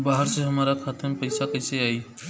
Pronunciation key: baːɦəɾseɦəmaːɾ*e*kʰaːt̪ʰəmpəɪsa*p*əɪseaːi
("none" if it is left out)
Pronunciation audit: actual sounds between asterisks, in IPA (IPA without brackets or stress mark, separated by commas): a, k